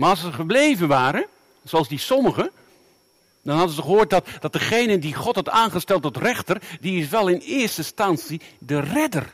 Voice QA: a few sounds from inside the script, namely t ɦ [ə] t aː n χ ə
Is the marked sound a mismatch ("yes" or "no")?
yes